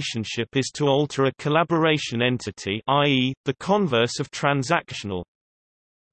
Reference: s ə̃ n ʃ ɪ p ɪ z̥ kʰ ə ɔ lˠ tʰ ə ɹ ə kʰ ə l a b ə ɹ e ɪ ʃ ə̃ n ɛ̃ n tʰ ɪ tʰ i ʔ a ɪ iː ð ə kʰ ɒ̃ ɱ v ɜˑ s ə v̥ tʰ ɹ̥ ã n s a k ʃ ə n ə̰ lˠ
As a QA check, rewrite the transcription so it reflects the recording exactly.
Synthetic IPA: ʃ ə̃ n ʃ ɪ p ɪ z̥ tʰ ə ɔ lˠ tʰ ə ɹ ə kʰ ə l a b ə ɹ e ɪ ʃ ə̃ n ɛ̃ n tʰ ɪ tʰ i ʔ a ɪ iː ð ə kʰ ɒ̃ ɱ v ɜˑ s ə v̥ tʰ ɹ̥ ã n z a k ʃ ə n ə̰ lˠ